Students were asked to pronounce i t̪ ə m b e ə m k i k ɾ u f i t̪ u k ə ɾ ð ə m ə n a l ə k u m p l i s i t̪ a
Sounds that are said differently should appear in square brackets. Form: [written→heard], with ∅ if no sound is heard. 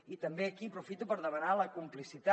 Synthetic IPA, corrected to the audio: i t̪ ə m b e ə [m→∅] k i [k→p] ɾ u f i t̪ u [k→p] ə ɾ ð ə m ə n a l ə k u m p l i s i t̪ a